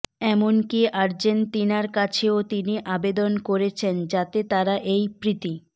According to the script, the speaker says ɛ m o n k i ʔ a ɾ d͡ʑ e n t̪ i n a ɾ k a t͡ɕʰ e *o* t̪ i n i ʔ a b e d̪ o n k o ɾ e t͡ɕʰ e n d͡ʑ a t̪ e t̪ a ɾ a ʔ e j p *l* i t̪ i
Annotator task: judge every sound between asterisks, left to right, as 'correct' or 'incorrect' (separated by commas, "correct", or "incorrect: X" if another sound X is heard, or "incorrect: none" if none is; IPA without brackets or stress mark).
correct, incorrect: ɾ